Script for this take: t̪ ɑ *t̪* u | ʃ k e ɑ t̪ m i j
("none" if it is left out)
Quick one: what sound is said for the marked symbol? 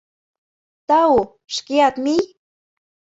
none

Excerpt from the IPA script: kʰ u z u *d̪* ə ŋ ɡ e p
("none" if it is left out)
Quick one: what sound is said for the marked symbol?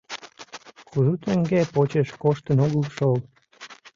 t̪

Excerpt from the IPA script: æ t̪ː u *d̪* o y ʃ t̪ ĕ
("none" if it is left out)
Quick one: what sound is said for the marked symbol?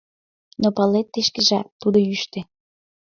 d̪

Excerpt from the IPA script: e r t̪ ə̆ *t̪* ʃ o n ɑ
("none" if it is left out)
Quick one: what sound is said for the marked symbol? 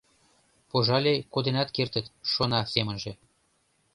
t̪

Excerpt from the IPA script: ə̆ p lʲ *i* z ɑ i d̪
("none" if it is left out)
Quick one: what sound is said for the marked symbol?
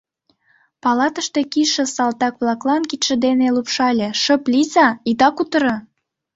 i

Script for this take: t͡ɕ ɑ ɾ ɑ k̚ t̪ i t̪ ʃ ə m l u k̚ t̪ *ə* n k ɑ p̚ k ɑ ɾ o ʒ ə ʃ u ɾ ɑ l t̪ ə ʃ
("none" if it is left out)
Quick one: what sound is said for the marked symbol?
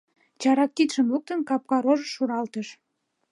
ə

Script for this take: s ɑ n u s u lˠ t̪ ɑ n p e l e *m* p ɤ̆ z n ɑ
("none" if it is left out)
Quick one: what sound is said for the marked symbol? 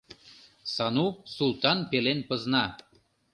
n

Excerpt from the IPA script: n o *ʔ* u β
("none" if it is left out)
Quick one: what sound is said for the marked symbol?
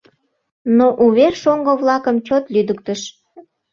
ʔ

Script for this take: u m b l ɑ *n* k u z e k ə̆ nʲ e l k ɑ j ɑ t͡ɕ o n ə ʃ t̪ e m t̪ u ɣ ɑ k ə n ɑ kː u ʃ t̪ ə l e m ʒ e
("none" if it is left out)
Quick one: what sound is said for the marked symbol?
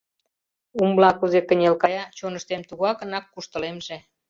none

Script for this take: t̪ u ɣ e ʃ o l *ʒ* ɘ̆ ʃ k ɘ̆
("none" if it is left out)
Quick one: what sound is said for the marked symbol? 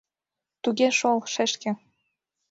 ʃ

